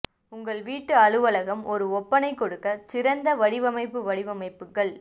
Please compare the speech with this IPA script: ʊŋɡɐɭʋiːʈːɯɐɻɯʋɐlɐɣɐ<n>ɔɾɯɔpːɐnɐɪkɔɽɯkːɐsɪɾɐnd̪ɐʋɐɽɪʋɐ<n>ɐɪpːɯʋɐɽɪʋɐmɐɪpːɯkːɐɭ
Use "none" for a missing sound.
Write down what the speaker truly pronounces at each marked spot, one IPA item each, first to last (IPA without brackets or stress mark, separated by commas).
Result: m, m